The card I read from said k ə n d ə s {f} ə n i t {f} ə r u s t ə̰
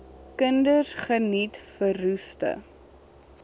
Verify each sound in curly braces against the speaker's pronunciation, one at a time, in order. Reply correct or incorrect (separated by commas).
incorrect, correct